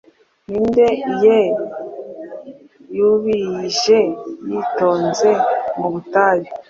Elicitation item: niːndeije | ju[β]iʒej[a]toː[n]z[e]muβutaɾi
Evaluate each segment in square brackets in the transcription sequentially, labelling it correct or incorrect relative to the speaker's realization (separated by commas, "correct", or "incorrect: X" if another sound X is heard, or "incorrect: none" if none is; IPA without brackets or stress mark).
correct, incorrect: i, correct, correct